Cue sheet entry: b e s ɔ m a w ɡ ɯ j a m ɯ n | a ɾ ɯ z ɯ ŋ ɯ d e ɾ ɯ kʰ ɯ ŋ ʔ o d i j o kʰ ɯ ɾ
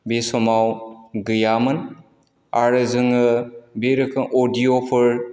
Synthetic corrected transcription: b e s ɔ m a w ɡ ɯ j a m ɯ n | a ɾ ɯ z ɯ ŋ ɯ b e ɾ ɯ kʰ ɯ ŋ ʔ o d i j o pʰ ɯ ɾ